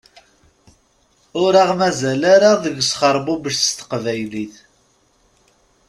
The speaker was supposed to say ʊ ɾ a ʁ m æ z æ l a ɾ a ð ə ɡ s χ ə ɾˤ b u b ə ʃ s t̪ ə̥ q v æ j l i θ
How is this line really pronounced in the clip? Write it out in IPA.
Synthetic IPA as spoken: ʊ ɾ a ʁ m æ z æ l a ɾ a ð ə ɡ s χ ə ɾˤ b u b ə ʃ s t̪ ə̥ q v æ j l i θ

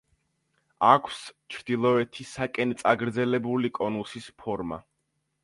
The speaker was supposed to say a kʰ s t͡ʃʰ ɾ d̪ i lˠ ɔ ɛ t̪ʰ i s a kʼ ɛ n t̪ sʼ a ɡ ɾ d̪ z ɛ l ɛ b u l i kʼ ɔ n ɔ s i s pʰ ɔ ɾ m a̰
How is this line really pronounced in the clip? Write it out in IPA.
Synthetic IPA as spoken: a kʰ s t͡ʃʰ ɾ d̪ i lˠ ɔ ɛ t̪ʰ i s a kʼ ɛ n t̪ sʼ a ɡ ɾ d̪ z ɛ l ɛ b u l i kʼ ɔ n u s i s pʰ ɔ ɾ m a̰

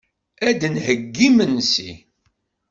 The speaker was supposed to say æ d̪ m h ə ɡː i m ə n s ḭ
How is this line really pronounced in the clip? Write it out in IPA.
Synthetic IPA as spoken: æ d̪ n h ə ɡː i m ə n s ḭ

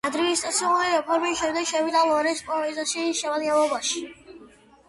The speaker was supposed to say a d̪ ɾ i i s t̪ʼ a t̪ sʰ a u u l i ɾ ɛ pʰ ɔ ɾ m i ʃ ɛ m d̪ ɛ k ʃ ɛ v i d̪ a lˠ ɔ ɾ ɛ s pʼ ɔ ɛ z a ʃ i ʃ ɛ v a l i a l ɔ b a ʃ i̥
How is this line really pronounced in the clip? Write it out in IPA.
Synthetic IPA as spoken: a d̪ ɾ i i s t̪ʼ a t̪ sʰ i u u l i ɾ ɛ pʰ ɔ ɾ m i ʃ ɛ m d̪ ɛ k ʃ ɛ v i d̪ a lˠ ɔ ɾ ɛ s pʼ ɔ ɛ z a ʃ i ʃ ɛ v a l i a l ɔ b a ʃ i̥

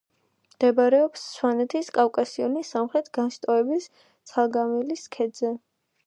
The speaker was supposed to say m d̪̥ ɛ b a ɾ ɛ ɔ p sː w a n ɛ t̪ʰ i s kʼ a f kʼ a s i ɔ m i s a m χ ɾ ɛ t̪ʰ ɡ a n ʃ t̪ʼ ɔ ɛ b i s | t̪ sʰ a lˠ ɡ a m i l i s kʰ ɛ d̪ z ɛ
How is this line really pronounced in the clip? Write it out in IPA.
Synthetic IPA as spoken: m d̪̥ ɛ b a ɾ ɛ ɔ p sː w a n ɛ t̪ʰ i s kʼ a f kʼ a s i ɔ n i s a m χ ɾ ɛ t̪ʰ ɡ a n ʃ t̪ʼ ɔ ɛ b i s | t̪ sʰ a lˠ ɡ a m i l i s kʰ ɛ d̪ z ɛ

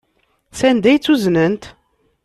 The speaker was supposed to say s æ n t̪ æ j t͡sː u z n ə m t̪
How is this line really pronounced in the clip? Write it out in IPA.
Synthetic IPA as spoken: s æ n d̪ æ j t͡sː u z n ə n t̪

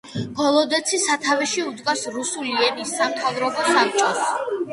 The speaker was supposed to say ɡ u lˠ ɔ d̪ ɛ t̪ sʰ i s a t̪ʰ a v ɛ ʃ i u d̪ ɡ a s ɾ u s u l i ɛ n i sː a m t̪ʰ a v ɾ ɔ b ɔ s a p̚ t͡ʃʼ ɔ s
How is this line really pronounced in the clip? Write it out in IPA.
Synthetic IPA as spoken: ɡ ɔ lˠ ɔ d̪ ɛ t̪ sʰ i s a t̪ʰ a v ɛ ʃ i u d̪ ɡ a s ɾ u s u l i ɛ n i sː a m t̪ʰ a v ɾ ɔ b ɔ s a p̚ t͡ʃʼ ɔ s

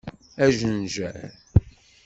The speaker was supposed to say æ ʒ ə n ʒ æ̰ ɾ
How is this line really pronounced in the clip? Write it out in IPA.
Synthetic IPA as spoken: æ ʒ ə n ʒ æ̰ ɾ

